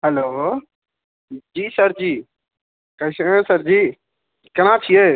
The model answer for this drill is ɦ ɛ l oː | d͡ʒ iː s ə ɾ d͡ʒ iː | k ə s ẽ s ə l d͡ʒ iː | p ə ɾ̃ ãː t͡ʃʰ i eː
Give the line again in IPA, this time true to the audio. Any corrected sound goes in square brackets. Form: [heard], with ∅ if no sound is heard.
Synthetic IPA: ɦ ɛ l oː | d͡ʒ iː s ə ɾ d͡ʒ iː | k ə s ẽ s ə [ɾ] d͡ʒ iː | [k] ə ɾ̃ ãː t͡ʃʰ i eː